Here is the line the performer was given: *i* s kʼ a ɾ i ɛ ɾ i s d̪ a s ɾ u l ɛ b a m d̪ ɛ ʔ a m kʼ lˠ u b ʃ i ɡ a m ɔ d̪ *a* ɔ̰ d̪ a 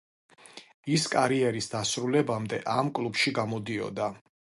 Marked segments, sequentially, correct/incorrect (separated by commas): correct, incorrect